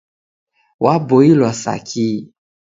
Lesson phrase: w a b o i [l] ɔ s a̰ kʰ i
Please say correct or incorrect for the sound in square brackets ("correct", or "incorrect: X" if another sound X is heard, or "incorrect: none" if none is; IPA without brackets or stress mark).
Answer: correct